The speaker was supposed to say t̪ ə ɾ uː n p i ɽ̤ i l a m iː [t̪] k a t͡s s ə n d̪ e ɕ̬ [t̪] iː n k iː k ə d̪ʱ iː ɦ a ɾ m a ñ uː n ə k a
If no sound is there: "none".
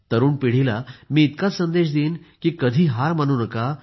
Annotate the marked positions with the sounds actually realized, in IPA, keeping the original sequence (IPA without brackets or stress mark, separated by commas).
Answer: t̪, d̪